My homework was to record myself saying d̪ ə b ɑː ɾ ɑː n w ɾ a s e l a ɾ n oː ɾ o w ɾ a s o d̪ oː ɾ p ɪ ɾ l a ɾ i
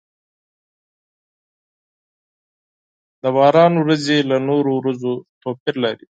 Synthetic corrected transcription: d̪ ə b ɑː ɾ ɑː n w ɾ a z e l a n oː ɾ o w ɾ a z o t̪ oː p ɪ ɾ l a ɾ i